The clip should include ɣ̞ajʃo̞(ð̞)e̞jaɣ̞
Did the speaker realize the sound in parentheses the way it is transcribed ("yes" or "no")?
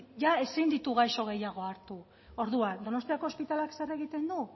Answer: no